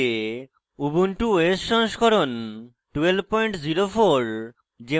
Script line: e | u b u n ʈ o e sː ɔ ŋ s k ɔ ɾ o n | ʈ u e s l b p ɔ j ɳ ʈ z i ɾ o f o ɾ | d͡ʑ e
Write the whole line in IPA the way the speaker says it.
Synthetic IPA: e | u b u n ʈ u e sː ɔ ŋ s k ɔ ɾ o n | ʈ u e l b p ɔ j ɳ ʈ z i ɾ o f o ɾ | d͡ʑ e